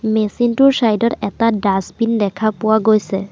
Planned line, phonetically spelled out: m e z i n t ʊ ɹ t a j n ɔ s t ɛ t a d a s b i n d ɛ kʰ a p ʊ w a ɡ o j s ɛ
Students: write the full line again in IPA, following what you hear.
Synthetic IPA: m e s i n t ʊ ɹ s a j d ɔ t ɛ t a d a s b i n d ɛ kʰ a p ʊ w a ɡ o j s ɛ